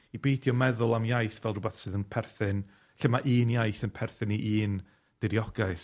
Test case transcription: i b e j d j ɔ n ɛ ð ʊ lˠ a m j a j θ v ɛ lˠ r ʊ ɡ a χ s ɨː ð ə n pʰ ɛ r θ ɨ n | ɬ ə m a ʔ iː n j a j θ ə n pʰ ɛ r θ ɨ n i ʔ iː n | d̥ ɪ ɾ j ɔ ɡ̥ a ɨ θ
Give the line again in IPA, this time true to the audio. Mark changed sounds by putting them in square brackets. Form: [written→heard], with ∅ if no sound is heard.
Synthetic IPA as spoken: i b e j d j ɔ [n→m] ɛ ð ʊ lˠ a m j a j θ v ɛ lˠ r ʊ [ɡ→b] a [χ→θ] s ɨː ð ə n pʰ ɛ r θ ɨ n | ɬ ə m a ʔ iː n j a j θ ə n pʰ ɛ r θ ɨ n i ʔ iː n | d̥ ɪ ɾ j ɔ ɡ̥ a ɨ θ